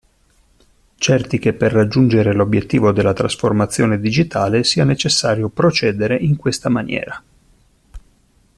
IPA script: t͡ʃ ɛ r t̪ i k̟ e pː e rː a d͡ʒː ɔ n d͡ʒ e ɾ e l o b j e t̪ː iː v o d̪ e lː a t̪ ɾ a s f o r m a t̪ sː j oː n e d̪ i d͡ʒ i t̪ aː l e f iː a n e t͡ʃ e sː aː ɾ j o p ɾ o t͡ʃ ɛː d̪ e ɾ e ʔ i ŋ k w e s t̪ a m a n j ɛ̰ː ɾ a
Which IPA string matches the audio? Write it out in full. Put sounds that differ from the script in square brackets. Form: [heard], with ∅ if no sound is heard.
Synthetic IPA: t͡ʃ ɛ r t̪ i k̟ e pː e rː a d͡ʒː [u] n d͡ʒ e ɾ e l o b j e t̪ː iː v o d̪ e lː a t̪ ɾ a s f o r m a t̪ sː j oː n e d̪ i d͡ʒ i t̪ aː l e [s] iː a n e t͡ʃ e sː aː ɾ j o p ɾ o t͡ʃ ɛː d̪ e ɾ e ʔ i ŋ k w e s t̪ a m a n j ɛ̰ː ɾ a